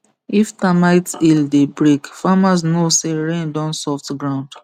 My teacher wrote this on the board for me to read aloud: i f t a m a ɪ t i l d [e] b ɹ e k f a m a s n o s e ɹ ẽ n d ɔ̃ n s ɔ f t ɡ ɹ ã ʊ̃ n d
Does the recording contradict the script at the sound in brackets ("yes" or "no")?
no